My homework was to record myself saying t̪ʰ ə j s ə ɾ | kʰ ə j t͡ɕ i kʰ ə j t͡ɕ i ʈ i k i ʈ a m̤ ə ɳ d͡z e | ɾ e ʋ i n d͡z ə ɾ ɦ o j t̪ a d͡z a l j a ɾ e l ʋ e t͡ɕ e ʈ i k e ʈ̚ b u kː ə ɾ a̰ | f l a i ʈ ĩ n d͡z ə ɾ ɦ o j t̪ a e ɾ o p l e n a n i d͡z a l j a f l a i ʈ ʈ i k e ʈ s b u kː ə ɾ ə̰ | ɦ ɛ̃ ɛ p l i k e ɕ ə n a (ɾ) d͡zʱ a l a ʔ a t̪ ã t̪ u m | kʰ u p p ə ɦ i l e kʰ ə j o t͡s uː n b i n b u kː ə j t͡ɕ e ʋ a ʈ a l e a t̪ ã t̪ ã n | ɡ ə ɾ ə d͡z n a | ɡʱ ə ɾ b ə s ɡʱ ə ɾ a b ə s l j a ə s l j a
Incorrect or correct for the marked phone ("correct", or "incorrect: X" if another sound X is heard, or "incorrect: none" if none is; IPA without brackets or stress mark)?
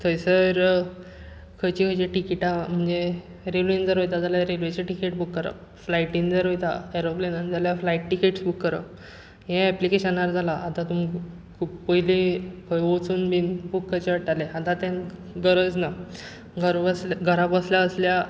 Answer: correct